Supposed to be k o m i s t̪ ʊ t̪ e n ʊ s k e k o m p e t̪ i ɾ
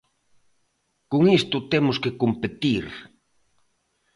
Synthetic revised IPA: k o ŋ i s t̪ ʊ t̪ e m ʊ s k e k o m p e t̪ i ɾ